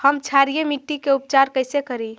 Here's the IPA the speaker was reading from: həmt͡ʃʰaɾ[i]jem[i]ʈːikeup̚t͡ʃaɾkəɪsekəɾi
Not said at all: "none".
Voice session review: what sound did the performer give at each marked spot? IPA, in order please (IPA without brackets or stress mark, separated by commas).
i, i